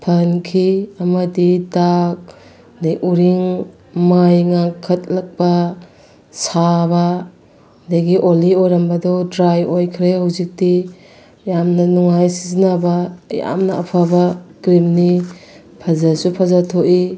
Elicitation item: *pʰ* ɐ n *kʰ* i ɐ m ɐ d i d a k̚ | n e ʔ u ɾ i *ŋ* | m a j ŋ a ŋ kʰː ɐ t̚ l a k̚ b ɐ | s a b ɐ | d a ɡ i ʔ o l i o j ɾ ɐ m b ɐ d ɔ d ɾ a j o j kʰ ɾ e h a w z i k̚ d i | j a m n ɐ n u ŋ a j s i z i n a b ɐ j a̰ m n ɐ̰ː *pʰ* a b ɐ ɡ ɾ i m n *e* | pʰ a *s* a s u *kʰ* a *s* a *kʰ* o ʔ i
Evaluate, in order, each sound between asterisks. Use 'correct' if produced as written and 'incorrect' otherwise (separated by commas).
correct, correct, correct, correct, incorrect, incorrect, incorrect, incorrect, incorrect